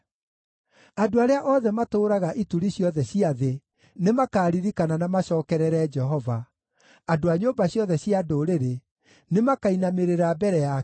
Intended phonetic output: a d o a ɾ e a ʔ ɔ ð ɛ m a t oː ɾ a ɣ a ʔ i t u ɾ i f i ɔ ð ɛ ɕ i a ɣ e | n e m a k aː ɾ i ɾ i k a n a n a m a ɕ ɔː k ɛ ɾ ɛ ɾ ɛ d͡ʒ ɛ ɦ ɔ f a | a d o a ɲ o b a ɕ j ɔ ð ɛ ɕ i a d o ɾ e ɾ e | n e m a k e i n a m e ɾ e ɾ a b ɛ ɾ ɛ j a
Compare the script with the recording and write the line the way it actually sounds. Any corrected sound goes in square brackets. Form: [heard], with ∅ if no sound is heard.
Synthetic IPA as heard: a d o a ɾ e a ʔ ɔ ð ɛ m a t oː ɾ a ɣ a ʔ i t u ɾ i [ɕ] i ɔ ð ɛ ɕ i a [ð] e | n e m a k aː ɾ i ɾ i k a n a n a m a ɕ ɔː k ɛ ɾ ɛ ɾ ɛ d͡ʒ ɛ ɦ ɔ [v] a | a d o a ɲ o b a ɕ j ɔ ð ɛ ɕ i a d o ɾ e ɾ e | n e m a k [a] i n a m e ɾ e ɾ a b ɛ ɾ ɛ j a